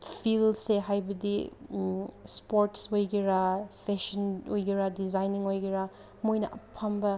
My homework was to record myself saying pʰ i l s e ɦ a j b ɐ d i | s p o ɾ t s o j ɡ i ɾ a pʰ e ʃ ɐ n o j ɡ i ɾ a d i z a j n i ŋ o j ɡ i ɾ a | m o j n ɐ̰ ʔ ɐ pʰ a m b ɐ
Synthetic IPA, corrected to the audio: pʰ i l s e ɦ a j b ɐ d i | s p o ɾ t s o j ɡ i ɾ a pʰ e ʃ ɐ n o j ɡ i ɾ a d i z a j n i ŋ o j ɡ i ɾ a | m o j n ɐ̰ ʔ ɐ pʰ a m b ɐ